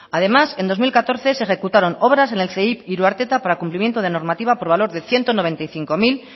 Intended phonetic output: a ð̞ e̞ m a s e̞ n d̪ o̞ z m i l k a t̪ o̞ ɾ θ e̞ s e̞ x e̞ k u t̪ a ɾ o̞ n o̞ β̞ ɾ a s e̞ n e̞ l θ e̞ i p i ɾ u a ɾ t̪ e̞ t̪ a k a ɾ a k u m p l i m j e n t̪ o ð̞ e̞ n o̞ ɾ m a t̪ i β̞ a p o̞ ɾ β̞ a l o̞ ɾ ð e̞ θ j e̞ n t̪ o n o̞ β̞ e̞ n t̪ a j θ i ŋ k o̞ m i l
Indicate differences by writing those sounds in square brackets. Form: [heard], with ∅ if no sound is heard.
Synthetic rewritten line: a ð̞ e̞ m a s e̞ n d̪ o̞ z m i l k a t̪ o̞ ɾ θ e̞ s e̞ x e̞ k u t̪ a ɾ o̞ n o̞ β̞ ɾ a s e̞ n e̞ l θ e̞ i p i ɾ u a ɾ t̪ e̞ t̪ a [p] a ɾ a k u m p l i m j e n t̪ o ð̞ e̞ n o̞ ɾ m a t̪ i β̞ a p o̞ ɾ β̞ a l o̞ ɾ ð e̞ θ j e̞ n t̪ o n o̞ β̞ e̞ n t̪ a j θ i ŋ k o̞ m i l